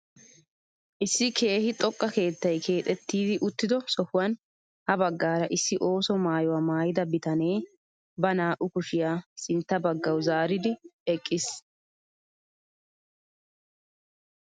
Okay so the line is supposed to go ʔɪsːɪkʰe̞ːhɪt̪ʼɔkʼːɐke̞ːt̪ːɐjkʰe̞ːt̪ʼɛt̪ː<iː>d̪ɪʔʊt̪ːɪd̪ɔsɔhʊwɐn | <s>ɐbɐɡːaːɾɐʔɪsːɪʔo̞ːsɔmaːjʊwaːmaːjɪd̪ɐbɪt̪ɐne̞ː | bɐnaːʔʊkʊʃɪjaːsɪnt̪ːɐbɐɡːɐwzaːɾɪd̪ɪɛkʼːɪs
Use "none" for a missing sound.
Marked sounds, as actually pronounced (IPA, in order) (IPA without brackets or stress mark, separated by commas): iː, h